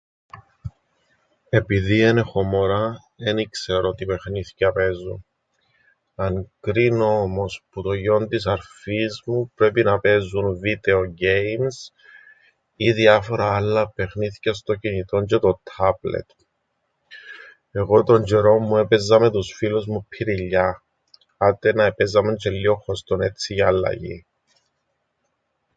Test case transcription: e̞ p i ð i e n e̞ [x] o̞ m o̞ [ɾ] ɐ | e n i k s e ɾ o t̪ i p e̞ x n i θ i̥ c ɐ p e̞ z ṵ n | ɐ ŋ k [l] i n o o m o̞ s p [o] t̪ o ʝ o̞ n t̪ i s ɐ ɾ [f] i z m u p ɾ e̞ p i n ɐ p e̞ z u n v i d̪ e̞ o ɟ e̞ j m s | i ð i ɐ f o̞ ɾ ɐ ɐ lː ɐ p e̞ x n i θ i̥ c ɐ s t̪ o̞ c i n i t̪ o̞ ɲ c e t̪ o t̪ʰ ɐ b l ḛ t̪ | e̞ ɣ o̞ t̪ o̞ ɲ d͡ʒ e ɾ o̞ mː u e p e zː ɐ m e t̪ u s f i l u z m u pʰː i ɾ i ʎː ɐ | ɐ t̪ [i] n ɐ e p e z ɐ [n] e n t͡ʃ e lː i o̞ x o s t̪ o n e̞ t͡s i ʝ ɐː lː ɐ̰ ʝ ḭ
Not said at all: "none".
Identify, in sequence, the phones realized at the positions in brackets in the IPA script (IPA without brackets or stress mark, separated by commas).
x, ɾ, ɾ, u, f, e, m